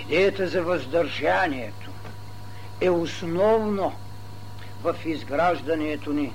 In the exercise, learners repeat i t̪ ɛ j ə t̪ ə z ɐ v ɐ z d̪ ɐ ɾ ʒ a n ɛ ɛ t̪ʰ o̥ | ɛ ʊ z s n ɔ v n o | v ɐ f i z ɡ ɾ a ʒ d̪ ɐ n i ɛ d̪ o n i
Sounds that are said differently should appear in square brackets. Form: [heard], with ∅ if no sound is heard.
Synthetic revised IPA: i [d̪] ɛ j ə t̪ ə z ɐ v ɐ z d̪ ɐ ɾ ʒ a n [i] ɛ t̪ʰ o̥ | ɛ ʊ [∅] s n ɔ v n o | v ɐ f i z ɡ ɾ a ʒ d̪ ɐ n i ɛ [t̪] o n i